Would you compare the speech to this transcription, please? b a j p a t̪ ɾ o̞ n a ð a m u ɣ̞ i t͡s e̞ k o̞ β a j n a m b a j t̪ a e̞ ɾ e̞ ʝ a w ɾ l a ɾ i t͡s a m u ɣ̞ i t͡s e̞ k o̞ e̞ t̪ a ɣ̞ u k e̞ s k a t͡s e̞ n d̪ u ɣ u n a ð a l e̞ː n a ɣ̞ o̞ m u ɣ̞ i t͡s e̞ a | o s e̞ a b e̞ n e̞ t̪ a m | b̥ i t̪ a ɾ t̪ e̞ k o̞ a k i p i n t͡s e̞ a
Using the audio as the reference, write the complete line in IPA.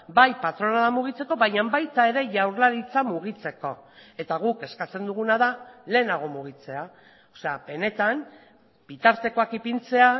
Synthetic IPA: b a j p a t̪ ɾ o̞ n a ð a m u ɣ̞ i t͡s e̞ k o̞ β a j ɲ a m b a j t̪ a e̞ ɾ e̞ ʝ a w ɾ l a ɾ i t͡s a m u ɣ̞ i t͡s e̞ k o̞ e̞ t̪ a ɣ̞ u k e̞ s k a t͡s e̞ n d̪ u ɣ u n a ð a l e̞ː n a ɣ̞ o̞ m u ɣ̞ i t͡s e̞ a | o s e̞ a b e̞ n e̞ t̪ a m | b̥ i t̪ a ɾ t̪ e̞ k o̞ a k i p i n t͡s e̞ a